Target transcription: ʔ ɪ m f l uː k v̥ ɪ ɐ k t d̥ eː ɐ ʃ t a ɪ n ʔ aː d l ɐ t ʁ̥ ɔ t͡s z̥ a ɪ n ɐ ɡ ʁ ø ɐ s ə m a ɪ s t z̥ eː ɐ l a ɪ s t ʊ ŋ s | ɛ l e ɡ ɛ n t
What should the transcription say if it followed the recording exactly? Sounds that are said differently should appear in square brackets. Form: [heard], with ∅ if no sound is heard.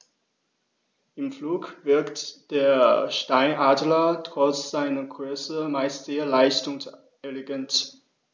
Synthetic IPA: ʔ ɪ m f l uː k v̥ ɪ ɐ k t d̥ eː ɐ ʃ t a ɪ n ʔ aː d l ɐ t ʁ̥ ɔ t͡s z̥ a ɪ n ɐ ɡ ʁ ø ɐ s ə m a ɪ s t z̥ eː ɐ l a ɪ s t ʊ ŋ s | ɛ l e ɡ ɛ n t